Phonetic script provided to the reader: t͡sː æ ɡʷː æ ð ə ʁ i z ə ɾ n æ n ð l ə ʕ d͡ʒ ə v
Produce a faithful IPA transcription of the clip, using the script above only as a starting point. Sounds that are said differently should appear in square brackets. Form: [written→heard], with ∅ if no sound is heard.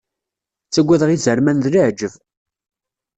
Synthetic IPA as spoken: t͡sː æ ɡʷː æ ð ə ʁ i z ə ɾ [n→m] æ n ð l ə ʕ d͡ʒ ə v